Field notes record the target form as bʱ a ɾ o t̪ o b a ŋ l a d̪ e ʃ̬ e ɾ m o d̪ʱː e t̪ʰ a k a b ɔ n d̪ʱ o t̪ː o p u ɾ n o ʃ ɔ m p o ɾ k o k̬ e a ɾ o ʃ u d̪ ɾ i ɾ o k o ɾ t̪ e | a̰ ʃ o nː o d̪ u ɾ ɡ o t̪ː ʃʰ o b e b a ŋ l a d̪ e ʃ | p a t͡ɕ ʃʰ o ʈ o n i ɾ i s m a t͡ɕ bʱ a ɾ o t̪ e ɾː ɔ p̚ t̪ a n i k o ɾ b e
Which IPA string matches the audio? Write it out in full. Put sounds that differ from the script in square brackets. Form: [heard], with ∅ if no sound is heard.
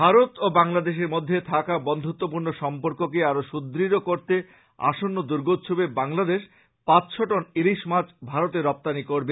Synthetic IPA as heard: bʱ a ɾ o t̪ o b a ŋ l a d̪ e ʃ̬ e ɾ m o d̪ʱː e t̪ʰ a k a b ɔ n d̪ʱ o t̪ː o p u ɾ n o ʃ ɔ m p o ɾ k o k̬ e a ɾ o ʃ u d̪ ɾ i ɾ o k o ɾ t̪ e | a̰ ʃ o nː o d̪ u ɾ ɡ o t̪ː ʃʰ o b e b a ŋ l a d̪ e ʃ | p a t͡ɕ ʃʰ o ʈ o n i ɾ i [ʃ] m a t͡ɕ bʱ a ɾ o t̪ e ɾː ɔ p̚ t̪ a n i k o ɾ b e